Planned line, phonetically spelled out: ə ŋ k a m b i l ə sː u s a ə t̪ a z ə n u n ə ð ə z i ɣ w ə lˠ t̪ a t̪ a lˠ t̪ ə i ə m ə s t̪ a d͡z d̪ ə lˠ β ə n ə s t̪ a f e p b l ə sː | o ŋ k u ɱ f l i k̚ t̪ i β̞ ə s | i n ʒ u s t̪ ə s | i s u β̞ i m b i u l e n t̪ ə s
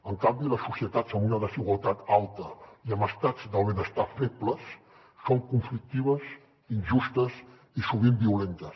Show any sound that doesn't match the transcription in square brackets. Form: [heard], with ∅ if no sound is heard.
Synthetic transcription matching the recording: ə ŋ k a m b i l ə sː u s [i] ə t̪ a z ə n u n ə ð ə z i ɣ w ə lˠ t̪ a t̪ a lˠ t̪ ə i ə m ə s t̪ a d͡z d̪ ə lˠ β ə n ə s t̪ a f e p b l ə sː | o ŋ k u ɱ f l i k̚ t̪ i β̞ ə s | i n ʒ u s t̪ ə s | i s u β̞ i m b i u l e n t̪ ə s

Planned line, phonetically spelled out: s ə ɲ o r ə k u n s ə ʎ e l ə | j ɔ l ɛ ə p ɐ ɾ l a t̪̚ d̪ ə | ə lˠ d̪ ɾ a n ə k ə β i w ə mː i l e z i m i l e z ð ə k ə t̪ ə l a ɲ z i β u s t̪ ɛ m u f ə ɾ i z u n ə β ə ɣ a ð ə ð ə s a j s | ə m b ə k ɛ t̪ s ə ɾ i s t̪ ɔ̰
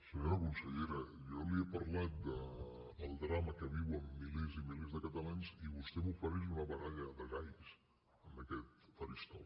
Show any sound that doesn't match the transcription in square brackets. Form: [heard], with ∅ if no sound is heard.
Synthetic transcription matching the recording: s ə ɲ o [ɾ] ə k u n s ə ʎ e [ɾ] ə | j ɔ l [i] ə p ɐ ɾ l a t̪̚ d̪ ə | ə lˠ d̪ ɾ a [m] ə k ə β i w ə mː i l e z i m i l e z ð ə k ə t̪ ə l a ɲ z i β u s t̪ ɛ m u f ə ɾ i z u n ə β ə ɣ a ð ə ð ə [z] a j s | ə m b ə k ɛ t̪ [f] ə ɾ i s t̪ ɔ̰

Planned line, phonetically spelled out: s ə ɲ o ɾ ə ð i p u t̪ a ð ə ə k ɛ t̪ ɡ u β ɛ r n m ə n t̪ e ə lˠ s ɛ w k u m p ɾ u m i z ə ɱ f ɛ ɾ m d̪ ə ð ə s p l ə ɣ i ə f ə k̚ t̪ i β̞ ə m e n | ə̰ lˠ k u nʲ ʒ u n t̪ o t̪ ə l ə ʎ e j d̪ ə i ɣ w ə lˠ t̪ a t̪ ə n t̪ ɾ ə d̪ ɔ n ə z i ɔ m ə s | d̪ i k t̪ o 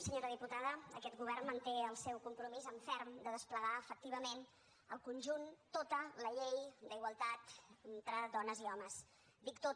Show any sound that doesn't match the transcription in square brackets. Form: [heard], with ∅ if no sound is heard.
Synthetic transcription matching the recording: s ə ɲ o ɾ ə ð i p u t̪ a ð ə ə k ɛ t̪ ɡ u β ɛ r n m ə n t̪ e ə lˠ s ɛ w k u m p ɾ u m i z ə ɱ f ɛ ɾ m d̪ ə ð ə s p l ə ɣ [a] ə f ə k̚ t̪ i β̞ ə m e n | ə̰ lˠ k u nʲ ʒ u n t̪ o t̪ ə l ə ʎ e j d̪ ə i ɣ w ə lˠ t̪ a t̪ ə n t̪ ɾ ə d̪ ɔ n ə z i ɔ m ə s | d̪ i k t̪ o

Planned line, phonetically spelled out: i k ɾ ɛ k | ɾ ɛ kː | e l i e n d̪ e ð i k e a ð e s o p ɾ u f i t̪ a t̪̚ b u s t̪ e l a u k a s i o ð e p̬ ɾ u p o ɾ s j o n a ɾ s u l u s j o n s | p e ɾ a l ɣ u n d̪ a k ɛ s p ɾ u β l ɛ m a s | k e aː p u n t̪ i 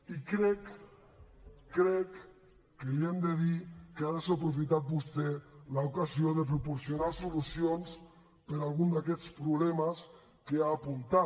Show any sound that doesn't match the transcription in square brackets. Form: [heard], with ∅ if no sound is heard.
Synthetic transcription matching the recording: i k ɾ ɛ k | ɾ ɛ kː | e l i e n d̪ e ð i k e a ð e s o p ɾ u f i t̪ a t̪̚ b u s t̪ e l a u k a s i o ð e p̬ ɾ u p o ɾ s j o n a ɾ s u l u s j o n s | p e ɾ a l ɣ u n d̪ a k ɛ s p ɾ u β l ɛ m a s | k e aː p u n t̪ [a]

